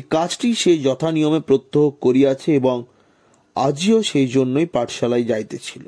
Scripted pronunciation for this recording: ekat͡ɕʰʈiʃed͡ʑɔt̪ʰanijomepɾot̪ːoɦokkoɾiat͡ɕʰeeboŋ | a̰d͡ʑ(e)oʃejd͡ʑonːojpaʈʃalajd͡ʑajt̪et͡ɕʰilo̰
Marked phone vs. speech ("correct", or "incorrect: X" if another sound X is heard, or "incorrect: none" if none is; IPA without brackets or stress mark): incorrect: i